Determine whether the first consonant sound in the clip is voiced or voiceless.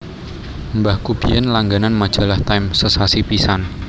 voiced